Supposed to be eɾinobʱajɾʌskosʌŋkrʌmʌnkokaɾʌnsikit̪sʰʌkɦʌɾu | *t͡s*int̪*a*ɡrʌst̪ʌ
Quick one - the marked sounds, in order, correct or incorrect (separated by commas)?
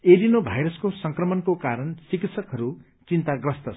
correct, correct